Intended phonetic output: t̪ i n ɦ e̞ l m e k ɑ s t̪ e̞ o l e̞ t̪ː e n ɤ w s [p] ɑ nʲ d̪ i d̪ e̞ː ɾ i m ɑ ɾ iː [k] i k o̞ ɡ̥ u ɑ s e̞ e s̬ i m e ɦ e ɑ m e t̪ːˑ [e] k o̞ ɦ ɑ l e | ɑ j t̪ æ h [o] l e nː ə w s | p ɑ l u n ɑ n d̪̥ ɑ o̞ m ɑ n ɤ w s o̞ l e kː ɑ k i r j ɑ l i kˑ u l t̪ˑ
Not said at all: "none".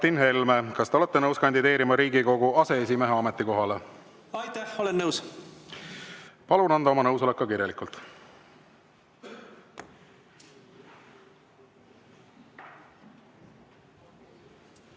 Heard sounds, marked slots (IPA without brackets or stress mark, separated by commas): k, ɡ, i, o